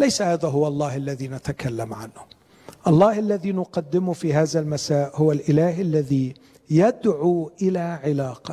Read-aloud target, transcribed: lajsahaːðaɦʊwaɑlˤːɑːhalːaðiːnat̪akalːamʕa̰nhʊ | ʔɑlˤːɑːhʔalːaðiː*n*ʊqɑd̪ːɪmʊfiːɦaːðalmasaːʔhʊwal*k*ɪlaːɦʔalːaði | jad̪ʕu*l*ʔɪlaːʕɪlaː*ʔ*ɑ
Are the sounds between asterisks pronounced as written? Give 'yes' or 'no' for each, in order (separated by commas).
yes, no, no, no